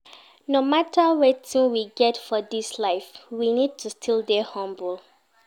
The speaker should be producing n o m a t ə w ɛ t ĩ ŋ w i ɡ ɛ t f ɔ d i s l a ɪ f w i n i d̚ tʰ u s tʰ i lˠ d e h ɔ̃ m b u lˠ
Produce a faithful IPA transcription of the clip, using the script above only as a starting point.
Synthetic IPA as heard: n o m a t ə w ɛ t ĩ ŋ w i ɡ ɛ t f ɔ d i s l a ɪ f w i n i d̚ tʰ u s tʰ i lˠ d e h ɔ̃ m b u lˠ